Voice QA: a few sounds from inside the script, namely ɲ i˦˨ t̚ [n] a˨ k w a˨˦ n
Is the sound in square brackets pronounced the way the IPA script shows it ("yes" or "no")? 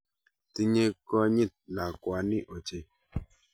yes